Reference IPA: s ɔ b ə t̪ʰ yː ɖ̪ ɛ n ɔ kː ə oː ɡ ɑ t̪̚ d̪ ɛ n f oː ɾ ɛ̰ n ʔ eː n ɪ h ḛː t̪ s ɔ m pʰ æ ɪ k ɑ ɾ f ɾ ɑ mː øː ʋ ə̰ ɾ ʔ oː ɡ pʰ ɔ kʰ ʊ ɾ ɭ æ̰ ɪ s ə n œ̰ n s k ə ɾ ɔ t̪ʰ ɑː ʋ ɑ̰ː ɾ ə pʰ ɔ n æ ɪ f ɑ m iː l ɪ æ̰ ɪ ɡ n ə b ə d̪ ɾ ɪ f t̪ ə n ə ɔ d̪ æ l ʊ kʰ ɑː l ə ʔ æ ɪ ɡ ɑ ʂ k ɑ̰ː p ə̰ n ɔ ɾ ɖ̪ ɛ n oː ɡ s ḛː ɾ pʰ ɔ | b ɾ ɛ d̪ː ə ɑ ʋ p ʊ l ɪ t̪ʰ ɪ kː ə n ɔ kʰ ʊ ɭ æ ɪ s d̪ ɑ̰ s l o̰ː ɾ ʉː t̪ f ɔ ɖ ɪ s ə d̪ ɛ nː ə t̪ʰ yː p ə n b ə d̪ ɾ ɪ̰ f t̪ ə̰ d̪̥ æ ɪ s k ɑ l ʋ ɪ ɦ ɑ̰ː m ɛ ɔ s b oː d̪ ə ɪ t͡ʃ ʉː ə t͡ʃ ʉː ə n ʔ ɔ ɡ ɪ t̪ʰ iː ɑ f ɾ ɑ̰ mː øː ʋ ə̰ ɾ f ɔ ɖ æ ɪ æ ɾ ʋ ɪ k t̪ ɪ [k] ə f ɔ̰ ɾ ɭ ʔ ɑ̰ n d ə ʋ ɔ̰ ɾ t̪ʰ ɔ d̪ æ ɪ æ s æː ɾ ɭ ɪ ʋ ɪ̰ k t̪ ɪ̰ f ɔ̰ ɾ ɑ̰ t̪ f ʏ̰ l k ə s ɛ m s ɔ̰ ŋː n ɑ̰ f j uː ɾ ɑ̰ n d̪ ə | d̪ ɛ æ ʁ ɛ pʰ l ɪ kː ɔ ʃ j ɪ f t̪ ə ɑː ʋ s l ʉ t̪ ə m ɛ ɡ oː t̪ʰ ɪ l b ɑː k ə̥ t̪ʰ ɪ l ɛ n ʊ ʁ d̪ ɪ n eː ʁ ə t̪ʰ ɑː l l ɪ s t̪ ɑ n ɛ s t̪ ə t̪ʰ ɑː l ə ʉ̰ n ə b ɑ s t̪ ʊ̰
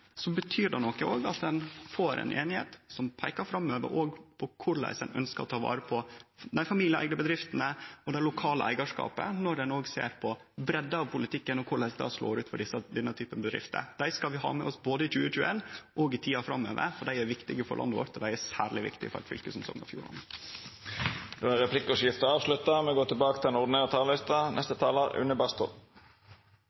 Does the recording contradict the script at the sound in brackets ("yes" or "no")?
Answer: yes